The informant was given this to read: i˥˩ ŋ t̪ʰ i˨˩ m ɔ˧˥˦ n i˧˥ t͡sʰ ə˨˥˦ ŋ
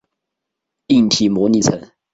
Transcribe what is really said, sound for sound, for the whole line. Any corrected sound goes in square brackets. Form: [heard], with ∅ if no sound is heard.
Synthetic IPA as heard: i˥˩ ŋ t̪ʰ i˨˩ m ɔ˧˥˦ n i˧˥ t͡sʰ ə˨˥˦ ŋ